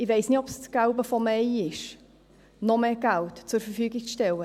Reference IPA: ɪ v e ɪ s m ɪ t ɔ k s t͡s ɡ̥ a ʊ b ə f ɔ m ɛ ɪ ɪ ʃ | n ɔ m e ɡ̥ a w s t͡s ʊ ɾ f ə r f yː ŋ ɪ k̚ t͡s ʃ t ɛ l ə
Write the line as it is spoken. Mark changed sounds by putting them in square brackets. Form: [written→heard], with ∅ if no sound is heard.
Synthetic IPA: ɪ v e ɪ s [m→n] ɪ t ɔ [k→p] s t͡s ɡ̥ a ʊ b ə f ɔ m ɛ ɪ ɪ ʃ | n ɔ m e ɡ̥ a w [s→t] t͡s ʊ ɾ f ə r f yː [ŋ→ɡ] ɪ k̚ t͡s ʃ t ɛ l ə